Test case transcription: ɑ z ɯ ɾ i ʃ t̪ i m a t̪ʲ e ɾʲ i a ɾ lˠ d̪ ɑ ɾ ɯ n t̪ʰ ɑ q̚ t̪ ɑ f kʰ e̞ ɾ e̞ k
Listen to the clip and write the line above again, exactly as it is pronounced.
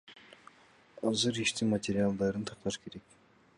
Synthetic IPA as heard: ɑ z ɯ ɾ i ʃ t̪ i m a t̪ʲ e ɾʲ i a lˠ d̪ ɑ ɾ ɯ n t̪ʰ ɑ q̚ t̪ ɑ ʃ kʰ e̞ ɾ e̞ k